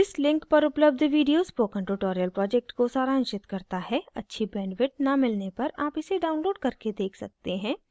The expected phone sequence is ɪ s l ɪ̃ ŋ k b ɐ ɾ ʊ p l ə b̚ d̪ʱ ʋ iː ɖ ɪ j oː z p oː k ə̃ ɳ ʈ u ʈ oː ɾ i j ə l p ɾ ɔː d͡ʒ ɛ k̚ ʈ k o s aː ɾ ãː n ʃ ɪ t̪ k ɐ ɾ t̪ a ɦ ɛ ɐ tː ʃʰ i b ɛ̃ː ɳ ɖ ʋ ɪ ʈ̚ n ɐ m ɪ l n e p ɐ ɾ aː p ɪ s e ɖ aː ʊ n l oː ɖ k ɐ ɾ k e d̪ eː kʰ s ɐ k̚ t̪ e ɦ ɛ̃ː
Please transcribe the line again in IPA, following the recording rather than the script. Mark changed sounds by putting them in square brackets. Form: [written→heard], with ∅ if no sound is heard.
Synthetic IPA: ɪ s l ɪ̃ ŋ k [b→p] ɐ ɾ ʊ p l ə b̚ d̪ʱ ʋ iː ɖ [ɪ→i] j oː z p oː k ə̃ ɳ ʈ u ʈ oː ɾ i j ə l p ɾ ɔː d͡ʒ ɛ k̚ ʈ k o s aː ɾ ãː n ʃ ɪ t̪ k ɐ ɾ t̪ a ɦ ɛ ɐ tː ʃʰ i b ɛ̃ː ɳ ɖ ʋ ɪ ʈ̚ n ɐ m ɪ l n e p ɐ ɾ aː p ɪ s e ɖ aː ʊ n l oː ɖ k ɐ ɾ k e d̪ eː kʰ s ɐ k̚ t̪ e ɦ ɛ̃ː